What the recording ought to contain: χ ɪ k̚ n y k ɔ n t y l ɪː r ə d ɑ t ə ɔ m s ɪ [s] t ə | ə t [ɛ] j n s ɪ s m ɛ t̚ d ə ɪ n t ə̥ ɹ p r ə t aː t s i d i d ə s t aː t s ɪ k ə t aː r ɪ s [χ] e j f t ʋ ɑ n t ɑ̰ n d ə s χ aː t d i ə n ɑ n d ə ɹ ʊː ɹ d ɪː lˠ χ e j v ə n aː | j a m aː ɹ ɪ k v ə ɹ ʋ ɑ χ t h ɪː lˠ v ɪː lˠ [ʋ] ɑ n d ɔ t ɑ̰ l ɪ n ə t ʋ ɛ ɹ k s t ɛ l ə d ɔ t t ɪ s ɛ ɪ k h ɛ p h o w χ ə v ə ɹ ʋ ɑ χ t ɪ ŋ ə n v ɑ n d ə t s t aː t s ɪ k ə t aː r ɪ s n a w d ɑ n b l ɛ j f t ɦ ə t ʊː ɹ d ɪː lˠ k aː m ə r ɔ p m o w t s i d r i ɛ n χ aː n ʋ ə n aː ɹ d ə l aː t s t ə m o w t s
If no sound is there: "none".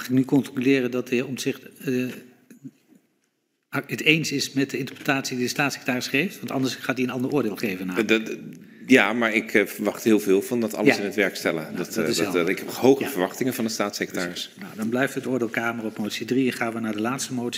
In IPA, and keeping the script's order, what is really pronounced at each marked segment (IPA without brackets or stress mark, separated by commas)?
χ, e, χ, v